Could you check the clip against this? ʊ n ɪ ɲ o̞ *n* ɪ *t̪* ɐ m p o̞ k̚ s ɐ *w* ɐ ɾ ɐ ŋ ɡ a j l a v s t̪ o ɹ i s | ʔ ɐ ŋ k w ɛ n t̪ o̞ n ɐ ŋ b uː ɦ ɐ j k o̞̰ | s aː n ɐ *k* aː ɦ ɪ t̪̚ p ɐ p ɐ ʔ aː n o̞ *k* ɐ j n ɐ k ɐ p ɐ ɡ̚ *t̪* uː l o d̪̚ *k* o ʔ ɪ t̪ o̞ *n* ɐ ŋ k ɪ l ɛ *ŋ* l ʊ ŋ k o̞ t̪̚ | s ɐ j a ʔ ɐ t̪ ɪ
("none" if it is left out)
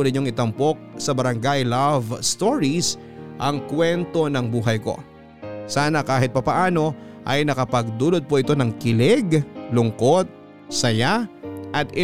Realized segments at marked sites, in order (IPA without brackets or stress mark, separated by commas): ŋ, t̪, b, k, ʔ, d̪, p, n, ɡ